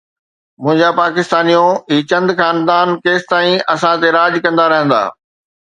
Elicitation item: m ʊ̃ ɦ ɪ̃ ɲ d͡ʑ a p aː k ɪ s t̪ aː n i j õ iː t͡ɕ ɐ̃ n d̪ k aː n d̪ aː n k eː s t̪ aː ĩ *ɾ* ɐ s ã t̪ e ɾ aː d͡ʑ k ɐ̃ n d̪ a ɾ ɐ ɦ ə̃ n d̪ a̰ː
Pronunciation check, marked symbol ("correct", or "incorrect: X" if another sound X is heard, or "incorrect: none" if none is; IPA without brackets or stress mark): incorrect: none